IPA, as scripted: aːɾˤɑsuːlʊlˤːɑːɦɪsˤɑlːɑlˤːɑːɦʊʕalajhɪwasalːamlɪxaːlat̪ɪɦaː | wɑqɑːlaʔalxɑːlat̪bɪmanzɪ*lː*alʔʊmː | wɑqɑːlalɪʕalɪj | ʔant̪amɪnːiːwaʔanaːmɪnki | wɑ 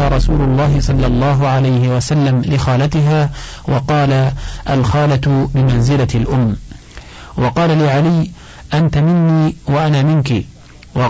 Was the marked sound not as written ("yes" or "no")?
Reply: yes